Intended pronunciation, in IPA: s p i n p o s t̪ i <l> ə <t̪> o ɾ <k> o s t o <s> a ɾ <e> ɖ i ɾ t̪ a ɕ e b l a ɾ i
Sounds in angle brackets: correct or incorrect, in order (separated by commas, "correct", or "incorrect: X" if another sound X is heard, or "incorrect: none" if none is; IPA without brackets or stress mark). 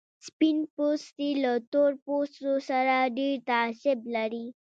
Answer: correct, correct, incorrect: p, correct, incorrect: a